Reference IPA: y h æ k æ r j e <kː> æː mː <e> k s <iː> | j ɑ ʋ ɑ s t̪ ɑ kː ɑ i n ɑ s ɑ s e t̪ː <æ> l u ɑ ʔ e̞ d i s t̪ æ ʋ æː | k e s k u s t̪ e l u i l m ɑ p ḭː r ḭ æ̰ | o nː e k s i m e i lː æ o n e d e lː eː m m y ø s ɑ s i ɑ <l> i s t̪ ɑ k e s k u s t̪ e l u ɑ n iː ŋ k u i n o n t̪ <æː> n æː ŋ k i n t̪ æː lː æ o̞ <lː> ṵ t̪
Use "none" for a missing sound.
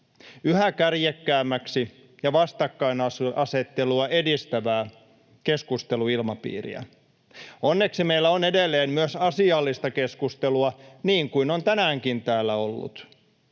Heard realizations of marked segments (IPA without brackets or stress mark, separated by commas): kː, æ, i, e, lː, æ, lː